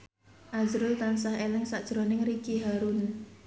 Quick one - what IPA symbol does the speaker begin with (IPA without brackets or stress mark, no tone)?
ʔ